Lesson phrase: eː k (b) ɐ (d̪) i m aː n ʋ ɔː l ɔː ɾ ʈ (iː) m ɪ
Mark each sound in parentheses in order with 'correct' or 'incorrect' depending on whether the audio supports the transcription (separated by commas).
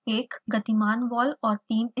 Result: incorrect, incorrect, correct